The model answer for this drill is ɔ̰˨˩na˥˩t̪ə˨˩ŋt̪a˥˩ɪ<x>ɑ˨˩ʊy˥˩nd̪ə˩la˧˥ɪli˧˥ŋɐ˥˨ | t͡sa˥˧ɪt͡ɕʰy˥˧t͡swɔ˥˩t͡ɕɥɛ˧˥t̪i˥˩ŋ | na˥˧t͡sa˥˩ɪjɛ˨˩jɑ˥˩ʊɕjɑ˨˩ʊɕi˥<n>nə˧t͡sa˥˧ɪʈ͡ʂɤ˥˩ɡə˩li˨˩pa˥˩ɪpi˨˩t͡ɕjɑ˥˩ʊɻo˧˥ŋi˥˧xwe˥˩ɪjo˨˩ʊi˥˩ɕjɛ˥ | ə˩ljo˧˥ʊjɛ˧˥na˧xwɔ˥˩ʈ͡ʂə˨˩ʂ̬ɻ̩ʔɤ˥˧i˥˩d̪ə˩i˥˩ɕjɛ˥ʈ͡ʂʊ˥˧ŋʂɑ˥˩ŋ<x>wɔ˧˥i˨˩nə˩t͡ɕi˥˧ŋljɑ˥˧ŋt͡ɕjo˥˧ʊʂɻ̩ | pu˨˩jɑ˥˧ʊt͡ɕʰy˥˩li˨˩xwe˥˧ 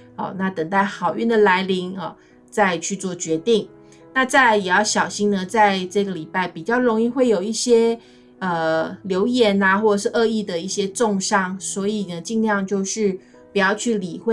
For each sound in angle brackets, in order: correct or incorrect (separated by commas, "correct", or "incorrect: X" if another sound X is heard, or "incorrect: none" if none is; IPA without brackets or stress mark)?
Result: correct, incorrect: ŋ, incorrect: s